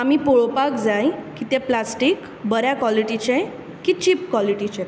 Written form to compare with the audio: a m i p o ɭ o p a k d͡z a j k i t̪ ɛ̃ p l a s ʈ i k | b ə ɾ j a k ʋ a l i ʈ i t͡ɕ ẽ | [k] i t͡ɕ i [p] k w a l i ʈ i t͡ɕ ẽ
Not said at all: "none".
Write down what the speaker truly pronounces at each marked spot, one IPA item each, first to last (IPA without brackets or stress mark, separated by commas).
k, p